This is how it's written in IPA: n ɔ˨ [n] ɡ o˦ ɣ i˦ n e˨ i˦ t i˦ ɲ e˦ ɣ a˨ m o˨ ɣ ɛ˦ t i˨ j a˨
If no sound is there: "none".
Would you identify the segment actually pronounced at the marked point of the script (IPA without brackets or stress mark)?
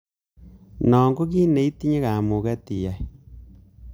ŋ